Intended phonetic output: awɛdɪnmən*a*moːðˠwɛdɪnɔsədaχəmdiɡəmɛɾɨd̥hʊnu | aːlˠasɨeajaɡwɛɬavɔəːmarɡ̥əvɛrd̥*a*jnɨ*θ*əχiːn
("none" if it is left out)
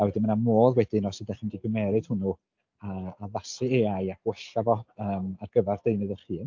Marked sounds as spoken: a, e, ð

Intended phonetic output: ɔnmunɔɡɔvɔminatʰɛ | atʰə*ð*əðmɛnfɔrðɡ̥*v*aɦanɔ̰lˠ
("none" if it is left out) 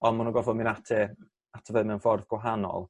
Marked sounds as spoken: v, w

